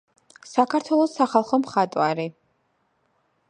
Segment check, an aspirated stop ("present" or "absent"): present